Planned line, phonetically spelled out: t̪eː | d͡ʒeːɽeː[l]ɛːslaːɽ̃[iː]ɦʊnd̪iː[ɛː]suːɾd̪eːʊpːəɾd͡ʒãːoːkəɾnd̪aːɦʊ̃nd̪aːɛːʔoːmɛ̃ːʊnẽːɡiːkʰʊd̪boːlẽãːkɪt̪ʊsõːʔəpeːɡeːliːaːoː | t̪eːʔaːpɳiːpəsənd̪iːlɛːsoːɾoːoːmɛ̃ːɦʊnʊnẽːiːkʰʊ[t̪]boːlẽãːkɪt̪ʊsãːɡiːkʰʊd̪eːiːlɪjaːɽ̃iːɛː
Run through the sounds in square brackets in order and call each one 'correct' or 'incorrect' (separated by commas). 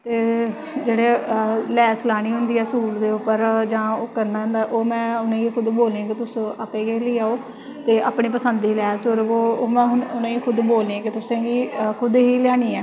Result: correct, correct, correct, incorrect